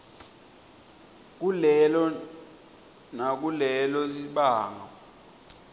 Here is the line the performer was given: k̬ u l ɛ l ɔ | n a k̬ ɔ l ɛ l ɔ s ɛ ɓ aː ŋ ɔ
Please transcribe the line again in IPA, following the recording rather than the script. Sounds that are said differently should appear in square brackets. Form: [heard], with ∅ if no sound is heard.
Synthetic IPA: k̬ u l ɛ l ɔ | n a k̬ [u] l ɛ l ɔ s [i] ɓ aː ŋ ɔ